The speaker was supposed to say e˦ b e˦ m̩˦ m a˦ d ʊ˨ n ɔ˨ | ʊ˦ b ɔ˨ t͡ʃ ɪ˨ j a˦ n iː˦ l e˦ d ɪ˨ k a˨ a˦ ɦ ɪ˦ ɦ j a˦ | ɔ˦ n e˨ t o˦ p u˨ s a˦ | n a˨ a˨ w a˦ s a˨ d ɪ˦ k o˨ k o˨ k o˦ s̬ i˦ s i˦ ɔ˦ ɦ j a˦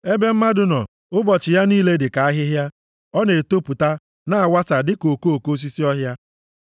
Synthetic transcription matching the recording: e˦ b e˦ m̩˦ m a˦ d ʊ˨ n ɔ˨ | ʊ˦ b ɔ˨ t͡ʃ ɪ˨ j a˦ n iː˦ l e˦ d ɪ˨ k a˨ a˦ ɦ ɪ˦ ɦ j a˦ | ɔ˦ n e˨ t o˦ p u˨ t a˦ | n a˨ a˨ w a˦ s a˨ d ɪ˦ k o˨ k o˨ k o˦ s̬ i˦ s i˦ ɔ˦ ɦ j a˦